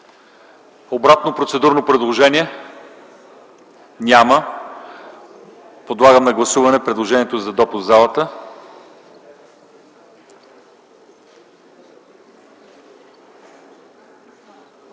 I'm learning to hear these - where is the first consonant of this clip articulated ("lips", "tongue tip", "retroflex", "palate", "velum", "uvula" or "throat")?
lips